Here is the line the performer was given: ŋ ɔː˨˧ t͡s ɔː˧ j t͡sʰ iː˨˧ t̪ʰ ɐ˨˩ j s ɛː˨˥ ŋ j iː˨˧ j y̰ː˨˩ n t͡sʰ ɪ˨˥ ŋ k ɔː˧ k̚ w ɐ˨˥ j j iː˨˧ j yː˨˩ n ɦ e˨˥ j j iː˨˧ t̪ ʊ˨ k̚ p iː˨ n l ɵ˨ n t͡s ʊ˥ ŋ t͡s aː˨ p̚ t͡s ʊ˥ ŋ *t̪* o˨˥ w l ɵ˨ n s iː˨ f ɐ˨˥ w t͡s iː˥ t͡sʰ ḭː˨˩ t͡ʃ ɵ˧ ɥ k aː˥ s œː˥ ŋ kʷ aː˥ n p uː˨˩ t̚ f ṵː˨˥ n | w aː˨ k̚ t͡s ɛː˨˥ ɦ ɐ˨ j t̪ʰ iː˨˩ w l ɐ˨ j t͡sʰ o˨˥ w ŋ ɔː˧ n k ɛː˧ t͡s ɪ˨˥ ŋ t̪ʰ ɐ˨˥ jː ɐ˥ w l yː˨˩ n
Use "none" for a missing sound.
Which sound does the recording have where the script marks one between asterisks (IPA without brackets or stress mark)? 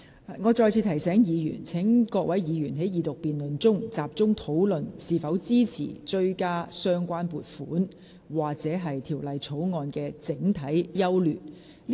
t̪ʰ